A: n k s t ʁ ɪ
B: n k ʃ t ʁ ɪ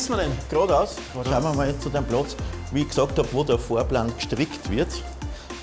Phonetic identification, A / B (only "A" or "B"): B